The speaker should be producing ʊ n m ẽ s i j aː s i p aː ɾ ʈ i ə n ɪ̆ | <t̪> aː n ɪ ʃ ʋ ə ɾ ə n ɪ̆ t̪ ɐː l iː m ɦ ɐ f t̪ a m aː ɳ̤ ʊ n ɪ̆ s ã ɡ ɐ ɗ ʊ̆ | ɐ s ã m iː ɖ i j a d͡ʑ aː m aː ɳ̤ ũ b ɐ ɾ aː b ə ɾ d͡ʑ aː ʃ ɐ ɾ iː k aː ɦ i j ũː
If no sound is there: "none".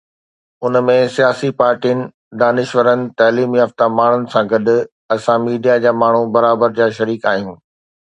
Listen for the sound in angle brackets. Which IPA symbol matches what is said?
d̪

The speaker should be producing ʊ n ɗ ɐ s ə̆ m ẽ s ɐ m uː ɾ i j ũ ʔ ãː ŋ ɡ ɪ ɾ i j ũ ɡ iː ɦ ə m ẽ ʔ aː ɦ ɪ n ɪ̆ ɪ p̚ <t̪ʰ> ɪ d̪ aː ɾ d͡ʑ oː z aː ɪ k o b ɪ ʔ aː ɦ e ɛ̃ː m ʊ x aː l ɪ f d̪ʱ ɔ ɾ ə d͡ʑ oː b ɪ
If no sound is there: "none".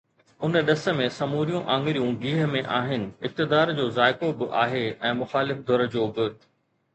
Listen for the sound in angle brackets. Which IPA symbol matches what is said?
t̪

